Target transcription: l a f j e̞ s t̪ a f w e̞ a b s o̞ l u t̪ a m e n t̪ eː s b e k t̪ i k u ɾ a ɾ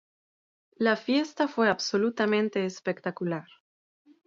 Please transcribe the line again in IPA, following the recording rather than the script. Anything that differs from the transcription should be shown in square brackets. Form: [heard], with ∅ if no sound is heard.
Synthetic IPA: l a f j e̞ s t̪ a f w e̞ a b s o̞ l u t̪ a m [ẽ] n t̪ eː s [p] e k t̪ [a] k u [l] a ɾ

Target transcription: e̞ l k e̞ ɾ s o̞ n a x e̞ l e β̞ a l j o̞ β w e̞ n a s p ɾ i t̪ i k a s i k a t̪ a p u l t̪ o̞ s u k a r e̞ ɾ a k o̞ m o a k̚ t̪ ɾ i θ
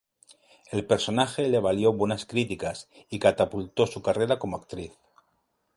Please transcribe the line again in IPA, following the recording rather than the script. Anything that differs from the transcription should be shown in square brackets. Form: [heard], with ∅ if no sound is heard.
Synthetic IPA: e̞ l [p] e̞ ɾ s o̞ n a x e̞ l e β̞ a l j o̞ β w e̞ n a s [k] ɾ i t̪ i k a s i k a t̪ a p u l t̪ o̞ s u k a r e̞ ɾ a k o̞ m o a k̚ t̪ ɾ i θ

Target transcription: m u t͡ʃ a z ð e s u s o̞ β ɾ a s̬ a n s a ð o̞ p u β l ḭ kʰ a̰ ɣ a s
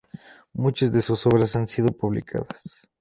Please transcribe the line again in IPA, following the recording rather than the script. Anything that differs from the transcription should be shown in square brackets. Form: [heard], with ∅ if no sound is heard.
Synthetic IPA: m u t͡ʃ a z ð e s u s o̞ β ɾ a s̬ a n s [i] ð o̞ p u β l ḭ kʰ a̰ [ð] a s

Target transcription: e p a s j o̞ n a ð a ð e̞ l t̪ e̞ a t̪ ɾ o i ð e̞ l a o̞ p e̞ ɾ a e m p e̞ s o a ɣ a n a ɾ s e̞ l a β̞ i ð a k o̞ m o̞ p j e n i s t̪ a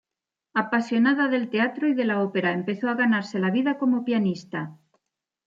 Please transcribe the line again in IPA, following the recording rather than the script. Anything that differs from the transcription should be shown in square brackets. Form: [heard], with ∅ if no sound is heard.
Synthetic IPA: [a] p a s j o̞ n a ð a ð e̞ l t̪ e̞ a t̪ ɾ o i ð e̞ l a o̞ p e̞ ɾ a e m p e̞ [θ] o a ɣ a n a ɾ s e̞ l a β̞ i ð a k o̞ m o̞ p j [a] n i s t̪ a

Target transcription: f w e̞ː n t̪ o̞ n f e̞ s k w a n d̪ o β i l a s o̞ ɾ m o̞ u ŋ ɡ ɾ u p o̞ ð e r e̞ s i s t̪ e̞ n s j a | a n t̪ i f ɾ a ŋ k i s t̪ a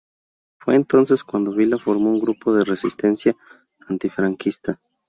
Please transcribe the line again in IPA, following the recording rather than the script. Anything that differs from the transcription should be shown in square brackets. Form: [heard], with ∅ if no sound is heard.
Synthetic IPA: f w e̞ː n t̪ o̞ n [s] e̞ s k w a n d̪ o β i l a [f] o̞ ɾ m o̞ u ŋ ɡ ɾ u p o̞ ð e r e̞ s i s t̪ e̞ n s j a | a n t̪ i f ɾ a ŋ k i s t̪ a

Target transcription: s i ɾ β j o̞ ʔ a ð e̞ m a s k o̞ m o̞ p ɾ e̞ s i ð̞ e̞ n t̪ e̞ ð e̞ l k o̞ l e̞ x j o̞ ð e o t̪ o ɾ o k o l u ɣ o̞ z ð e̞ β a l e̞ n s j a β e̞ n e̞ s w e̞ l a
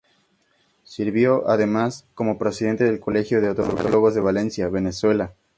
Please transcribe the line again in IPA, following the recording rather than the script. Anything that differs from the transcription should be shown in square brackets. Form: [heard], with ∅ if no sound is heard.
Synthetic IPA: s i ɾ β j o̞ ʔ a ð e̞ m a s k o̞ m o̞ p ɾ e̞ s i ð̞ e̞ n t̪ e̞ ð e̞ l k o̞ l e̞ x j o̞ ð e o t̪ o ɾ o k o l [o] ɣ o̞ z ð e̞ β a l e̞ n s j a β e̞ n e̞ s w e̞ l a

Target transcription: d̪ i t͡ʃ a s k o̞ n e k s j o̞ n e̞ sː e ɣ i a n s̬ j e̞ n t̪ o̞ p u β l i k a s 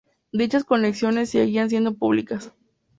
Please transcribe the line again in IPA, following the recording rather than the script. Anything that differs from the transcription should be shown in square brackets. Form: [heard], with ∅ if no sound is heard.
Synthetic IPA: d̪ i t͡ʃ a s k o̞ n e k s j o̞ n e̞ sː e ɣ i a n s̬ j e̞ n [d̪] o̞ p u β l i k a s

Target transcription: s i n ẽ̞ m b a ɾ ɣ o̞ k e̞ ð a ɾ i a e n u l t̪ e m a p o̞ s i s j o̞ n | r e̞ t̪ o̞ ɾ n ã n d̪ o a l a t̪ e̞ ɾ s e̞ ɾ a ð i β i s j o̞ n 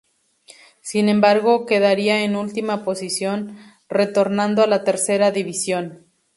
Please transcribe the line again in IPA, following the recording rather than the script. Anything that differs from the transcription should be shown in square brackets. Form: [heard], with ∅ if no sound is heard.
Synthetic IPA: s i n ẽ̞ m b a ɾ ɣ o̞ k e̞ ð a ɾ i a e n u l t̪ [i] m a p o̞ s i s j o̞ n | r e̞ t̪ o̞ ɾ n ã n d̪ o a l a t̪ e̞ ɾ s e̞ ɾ a ð i β i s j o̞ n

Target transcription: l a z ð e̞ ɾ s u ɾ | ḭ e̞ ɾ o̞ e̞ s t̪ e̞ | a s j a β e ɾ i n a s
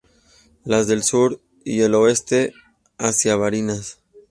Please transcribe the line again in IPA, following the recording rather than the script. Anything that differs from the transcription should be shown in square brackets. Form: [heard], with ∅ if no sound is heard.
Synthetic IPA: l a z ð e̞ [l] s u ɾ | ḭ e̞ [l] o̞ e̞ s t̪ e̞ | a s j a β [a] ɾ i n a s

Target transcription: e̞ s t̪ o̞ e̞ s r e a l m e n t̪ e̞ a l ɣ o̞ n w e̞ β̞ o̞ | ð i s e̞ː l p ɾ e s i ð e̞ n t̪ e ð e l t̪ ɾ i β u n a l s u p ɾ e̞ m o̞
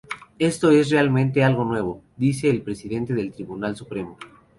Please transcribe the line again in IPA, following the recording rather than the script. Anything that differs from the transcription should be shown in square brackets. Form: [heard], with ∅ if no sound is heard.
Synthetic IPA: e̞ s t̪ o̞ e̞ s r e a l m [ẽ] n t̪ e̞ a l ɣ o̞ n w e̞ β̞ o̞ | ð i s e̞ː l p ɾ e s i ð e̞ n t̪ e ð e l t̪ ɾ i β u n a l s u p ɾ e̞ m o̞

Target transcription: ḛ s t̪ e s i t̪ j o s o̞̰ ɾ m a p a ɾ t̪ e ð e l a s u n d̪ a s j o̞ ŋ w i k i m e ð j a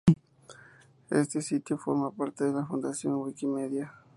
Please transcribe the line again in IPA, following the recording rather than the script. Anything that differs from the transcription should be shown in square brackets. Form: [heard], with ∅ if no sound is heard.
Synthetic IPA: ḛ s t̪ e s i t̪ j o [f] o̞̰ ɾ m a p a ɾ t̪ e ð e l a [f] u n d̪ a s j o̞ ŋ w i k i m e ð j a

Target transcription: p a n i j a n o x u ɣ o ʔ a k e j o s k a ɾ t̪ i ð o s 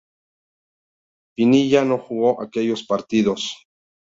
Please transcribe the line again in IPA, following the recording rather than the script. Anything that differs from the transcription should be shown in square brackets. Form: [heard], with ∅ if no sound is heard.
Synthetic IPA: p [i] n i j a n o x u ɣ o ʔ a k e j o s [p] a ɾ t̪ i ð o s

